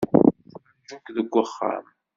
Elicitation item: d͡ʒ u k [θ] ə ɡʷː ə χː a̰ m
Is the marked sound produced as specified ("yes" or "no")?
no